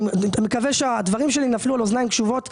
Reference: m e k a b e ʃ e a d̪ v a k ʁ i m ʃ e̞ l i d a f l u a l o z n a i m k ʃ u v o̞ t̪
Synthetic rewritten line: m e k a v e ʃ e a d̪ v a ʁ i m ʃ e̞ l i n a f l u a l o z n a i m k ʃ u v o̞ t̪